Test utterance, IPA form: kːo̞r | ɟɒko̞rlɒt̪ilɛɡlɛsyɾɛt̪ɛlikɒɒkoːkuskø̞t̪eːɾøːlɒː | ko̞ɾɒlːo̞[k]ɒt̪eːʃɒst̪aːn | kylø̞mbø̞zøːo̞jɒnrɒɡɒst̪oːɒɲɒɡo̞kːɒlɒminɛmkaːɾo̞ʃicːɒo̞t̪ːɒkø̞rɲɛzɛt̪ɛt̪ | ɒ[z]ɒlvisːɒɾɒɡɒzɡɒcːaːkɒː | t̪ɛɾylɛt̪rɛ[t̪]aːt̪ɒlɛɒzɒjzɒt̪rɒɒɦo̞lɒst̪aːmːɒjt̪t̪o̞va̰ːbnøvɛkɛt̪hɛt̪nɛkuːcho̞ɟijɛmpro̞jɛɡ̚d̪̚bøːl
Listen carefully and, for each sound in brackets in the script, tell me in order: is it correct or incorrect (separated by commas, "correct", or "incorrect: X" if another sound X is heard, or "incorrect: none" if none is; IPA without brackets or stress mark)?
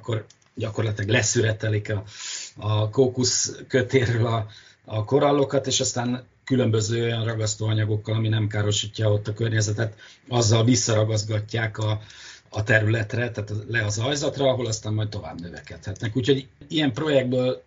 correct, incorrect: zː, correct